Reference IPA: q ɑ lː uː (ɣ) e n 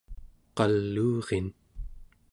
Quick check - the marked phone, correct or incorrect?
incorrect